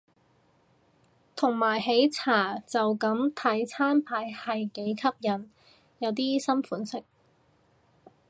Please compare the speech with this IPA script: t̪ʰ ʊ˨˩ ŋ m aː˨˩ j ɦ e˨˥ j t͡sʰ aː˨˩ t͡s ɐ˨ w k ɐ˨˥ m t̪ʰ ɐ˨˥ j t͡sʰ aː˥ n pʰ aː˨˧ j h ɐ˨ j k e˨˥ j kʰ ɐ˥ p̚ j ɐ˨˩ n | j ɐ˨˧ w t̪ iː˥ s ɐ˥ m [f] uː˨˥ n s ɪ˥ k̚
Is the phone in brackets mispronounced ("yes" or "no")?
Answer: no